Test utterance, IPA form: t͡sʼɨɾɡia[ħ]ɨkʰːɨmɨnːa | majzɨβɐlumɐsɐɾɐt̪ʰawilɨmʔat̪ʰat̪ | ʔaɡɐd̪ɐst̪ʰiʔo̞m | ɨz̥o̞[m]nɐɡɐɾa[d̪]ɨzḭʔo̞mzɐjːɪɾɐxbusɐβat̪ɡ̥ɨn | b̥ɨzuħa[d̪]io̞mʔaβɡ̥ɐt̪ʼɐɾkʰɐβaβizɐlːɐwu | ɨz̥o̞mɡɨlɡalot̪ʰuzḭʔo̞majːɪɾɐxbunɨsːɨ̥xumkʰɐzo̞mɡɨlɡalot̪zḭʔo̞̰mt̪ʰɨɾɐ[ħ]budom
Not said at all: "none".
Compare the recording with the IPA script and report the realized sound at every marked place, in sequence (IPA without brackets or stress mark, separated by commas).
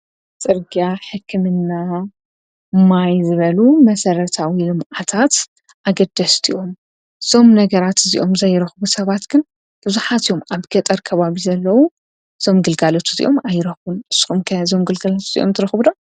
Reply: ħ, m, t̪, t̪, x